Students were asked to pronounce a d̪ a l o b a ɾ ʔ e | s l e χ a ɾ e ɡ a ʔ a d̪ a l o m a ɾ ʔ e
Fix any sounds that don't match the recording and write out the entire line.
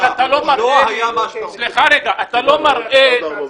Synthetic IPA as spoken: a t̪ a l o m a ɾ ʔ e | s l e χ a ɾ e ɡ a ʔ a t̪ a l o m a ɾ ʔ e